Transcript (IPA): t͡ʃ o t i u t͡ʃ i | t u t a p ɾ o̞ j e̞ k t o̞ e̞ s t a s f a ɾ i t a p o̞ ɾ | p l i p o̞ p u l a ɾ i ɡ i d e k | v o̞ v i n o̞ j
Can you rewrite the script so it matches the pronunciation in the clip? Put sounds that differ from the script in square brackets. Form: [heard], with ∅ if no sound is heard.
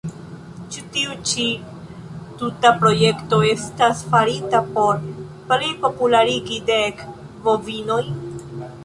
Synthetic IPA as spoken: t͡ʃ [u] t i u t͡ʃ i | t u t a p ɾ o̞ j e̞ k t o̞ e̞ s t a s f a ɾ i t a p o̞ ɾ | p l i p o̞ p u l a ɾ i ɡ i d e k | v o̞ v i n o̞ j